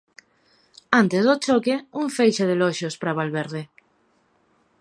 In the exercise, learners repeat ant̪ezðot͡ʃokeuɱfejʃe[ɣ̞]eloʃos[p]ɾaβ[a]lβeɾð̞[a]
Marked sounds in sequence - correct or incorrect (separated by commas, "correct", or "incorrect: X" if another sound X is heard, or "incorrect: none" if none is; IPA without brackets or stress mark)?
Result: incorrect: ð̞, correct, correct, incorrect: e